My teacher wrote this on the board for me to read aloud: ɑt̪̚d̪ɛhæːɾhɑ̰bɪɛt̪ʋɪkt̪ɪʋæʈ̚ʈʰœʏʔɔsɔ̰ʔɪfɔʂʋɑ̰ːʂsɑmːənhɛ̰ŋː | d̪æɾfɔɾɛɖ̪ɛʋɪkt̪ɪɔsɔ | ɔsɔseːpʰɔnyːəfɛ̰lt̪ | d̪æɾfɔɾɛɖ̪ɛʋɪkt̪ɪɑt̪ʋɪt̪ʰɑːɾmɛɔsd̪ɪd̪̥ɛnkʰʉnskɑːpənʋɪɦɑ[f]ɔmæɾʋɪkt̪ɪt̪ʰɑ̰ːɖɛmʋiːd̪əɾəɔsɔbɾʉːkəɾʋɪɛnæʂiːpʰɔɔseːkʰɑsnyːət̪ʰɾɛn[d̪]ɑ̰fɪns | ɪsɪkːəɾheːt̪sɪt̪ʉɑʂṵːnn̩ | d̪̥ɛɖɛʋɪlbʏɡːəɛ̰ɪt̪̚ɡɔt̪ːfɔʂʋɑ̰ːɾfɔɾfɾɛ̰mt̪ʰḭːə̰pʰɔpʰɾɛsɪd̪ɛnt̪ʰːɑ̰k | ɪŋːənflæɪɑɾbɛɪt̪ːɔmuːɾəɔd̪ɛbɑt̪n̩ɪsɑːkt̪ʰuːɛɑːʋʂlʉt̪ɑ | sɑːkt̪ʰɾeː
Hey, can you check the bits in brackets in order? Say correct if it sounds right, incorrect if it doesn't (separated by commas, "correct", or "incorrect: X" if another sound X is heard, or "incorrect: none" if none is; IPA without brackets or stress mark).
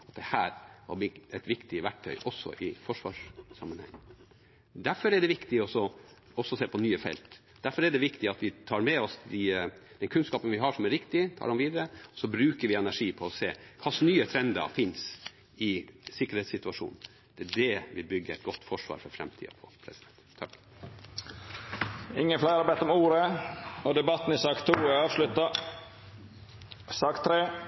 incorrect: ʂ, correct